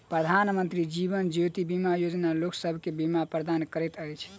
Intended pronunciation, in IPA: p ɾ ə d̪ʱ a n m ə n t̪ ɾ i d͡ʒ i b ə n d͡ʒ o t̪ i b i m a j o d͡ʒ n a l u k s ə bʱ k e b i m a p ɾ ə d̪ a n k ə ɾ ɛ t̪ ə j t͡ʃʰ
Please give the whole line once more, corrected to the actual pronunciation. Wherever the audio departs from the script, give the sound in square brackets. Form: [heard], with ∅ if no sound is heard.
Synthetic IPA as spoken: p ɾ ə d̪ʱ a n m ə n t̪ ɾ i d͡ʒ i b ə n d͡ʒ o t̪ i b i m a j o d͡ʒ n a l [o] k s ə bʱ k e b i m a p ɾ ə d̪ a n k ə ɾ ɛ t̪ ə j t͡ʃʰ